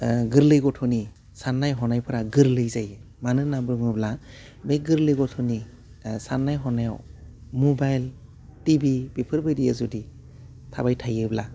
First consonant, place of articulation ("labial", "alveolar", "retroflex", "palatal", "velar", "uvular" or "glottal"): velar